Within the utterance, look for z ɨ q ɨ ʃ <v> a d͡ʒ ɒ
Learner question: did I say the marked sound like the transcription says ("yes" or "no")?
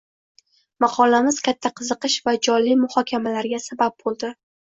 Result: yes